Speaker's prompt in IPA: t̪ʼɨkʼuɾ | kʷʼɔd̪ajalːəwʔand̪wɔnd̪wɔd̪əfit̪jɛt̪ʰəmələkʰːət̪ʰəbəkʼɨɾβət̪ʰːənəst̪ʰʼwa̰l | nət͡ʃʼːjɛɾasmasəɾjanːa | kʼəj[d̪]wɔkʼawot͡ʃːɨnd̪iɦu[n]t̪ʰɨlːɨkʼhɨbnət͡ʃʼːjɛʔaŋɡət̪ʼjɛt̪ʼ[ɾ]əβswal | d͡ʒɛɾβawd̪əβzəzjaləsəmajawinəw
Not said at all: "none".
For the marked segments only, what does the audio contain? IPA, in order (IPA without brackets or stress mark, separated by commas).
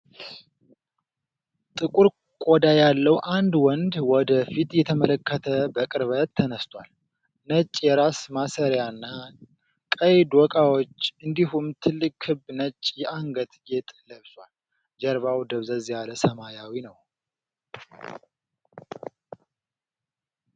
d̪, m, l